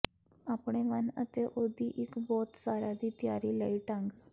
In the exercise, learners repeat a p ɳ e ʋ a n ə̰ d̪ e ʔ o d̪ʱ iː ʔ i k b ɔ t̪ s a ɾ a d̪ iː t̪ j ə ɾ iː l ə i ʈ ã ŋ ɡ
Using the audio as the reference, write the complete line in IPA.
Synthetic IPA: a p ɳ e ʋ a n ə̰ t̪ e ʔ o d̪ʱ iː ʔ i k b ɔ t̪ s a ɾ a d̪ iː t̪ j a ɾ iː l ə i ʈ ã ŋ ɡ